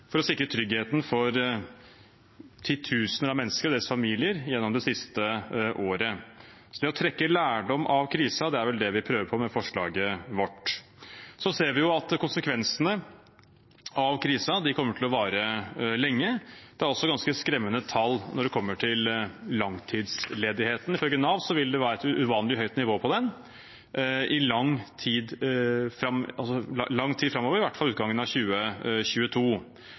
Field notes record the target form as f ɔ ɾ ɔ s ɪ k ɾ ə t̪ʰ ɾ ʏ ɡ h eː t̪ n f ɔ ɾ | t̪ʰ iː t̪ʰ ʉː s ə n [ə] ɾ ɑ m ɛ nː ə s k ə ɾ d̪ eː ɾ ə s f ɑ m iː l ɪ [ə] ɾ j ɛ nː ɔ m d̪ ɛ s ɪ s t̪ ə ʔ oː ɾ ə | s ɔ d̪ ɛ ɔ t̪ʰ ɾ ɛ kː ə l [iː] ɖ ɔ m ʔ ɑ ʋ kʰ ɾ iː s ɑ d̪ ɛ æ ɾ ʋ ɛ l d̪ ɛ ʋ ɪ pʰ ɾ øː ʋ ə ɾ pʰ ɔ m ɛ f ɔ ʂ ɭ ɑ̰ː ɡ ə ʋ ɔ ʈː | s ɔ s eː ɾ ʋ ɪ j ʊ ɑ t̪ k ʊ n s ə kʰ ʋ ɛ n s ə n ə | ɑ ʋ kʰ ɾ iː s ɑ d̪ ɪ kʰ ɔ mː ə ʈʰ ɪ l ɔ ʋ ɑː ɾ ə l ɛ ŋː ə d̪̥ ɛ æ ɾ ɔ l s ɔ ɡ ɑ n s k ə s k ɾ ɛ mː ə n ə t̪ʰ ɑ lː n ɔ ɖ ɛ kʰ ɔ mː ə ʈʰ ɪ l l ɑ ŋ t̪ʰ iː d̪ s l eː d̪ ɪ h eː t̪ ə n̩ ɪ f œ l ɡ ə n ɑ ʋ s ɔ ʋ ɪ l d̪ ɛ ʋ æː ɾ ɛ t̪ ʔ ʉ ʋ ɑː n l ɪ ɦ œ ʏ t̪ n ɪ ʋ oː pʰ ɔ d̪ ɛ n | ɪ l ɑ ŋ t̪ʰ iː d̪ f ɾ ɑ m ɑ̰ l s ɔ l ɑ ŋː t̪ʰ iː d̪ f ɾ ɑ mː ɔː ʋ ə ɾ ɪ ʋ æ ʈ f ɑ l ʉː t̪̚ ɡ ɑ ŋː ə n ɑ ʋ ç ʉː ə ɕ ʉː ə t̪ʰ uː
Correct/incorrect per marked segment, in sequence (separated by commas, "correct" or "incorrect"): correct, correct, incorrect